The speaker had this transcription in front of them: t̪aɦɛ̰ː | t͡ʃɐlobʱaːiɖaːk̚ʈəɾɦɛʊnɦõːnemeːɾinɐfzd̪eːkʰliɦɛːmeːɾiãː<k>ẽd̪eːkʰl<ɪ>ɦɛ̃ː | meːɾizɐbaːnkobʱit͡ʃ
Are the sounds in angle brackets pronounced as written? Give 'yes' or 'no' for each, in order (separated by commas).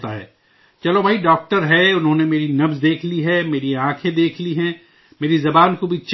no, no